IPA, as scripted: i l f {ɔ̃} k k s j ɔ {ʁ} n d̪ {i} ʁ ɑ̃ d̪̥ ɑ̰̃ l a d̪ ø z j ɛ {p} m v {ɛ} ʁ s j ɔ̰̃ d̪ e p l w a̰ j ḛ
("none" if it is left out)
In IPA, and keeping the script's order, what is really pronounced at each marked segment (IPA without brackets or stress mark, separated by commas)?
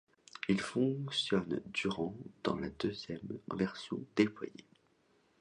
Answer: ɔ̃, none, y, none, ɛ